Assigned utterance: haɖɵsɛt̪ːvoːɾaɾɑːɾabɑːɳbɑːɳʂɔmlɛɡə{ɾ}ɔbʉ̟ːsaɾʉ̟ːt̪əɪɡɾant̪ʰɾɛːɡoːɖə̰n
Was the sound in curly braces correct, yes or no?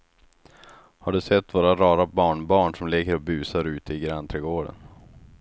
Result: yes